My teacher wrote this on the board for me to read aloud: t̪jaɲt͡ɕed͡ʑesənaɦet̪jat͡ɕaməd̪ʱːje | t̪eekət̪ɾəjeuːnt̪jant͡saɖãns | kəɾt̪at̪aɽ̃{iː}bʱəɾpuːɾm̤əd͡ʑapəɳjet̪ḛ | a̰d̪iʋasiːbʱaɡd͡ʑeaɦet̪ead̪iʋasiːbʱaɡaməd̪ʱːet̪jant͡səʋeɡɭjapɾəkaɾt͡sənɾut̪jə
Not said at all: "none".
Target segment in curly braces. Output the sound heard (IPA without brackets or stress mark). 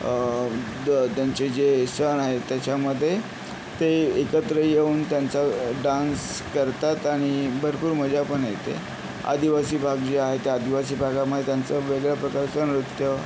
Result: i